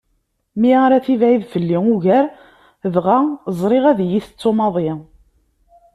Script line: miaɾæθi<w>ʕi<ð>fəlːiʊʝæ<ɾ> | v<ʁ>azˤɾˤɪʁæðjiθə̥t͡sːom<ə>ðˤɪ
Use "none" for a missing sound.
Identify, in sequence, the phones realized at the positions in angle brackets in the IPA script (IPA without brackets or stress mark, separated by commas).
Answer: v, ð, ɾ, ʁ, ɑ